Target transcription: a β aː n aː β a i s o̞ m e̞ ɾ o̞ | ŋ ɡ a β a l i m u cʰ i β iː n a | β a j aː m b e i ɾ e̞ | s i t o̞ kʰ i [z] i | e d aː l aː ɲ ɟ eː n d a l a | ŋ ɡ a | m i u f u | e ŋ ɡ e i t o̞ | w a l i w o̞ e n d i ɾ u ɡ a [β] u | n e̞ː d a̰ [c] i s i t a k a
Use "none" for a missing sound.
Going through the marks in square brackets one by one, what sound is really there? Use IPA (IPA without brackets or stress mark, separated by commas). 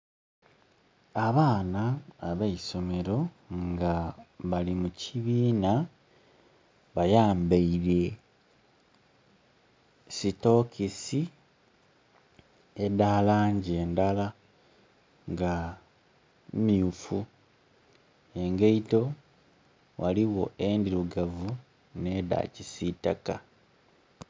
s, v, c